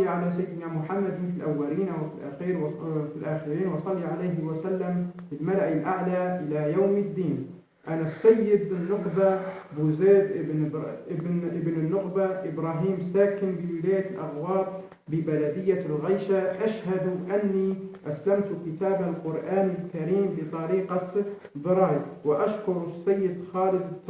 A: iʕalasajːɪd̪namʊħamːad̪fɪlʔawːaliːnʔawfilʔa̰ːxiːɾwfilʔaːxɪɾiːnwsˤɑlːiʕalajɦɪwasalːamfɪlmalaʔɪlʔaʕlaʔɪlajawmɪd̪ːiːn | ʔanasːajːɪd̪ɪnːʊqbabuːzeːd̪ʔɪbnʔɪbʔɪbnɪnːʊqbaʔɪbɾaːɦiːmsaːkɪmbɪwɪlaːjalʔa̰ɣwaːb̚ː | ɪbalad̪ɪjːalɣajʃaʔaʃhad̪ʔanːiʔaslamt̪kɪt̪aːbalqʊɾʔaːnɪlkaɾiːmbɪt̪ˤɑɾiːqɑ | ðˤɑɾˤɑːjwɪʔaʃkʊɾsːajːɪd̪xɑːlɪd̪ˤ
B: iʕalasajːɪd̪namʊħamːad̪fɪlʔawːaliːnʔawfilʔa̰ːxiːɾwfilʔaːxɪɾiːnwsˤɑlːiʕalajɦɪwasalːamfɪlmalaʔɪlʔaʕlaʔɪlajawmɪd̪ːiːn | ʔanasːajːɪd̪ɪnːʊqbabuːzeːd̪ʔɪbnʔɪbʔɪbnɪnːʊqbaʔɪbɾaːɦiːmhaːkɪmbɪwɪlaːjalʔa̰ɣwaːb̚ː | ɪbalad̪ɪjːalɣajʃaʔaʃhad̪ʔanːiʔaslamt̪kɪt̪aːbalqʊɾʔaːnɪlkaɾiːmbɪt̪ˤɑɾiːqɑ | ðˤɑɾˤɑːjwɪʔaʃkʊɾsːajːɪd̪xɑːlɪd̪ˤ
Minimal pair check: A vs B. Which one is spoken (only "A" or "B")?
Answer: A